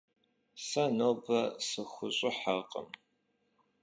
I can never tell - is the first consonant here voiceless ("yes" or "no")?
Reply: yes